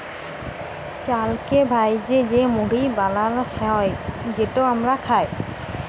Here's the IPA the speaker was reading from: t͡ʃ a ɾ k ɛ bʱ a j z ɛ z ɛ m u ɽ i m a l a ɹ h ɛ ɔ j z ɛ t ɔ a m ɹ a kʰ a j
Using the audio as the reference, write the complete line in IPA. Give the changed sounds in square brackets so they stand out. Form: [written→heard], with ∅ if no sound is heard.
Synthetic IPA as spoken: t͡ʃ a [ɾ→l] k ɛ bʱ a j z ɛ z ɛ m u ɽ i [m→b] a l a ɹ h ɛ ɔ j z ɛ t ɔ a m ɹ a kʰ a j